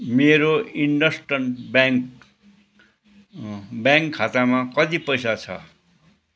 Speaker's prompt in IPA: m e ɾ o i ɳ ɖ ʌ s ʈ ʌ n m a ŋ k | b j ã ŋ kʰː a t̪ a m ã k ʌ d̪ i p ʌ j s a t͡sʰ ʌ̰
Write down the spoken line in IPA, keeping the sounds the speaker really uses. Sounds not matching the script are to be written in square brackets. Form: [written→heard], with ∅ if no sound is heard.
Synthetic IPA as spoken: m e ɾ o i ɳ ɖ ʌ s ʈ ʌ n [m→b] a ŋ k | b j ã ŋ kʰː a t̪ a m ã k ʌ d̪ i p ʌ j s a t͡sʰ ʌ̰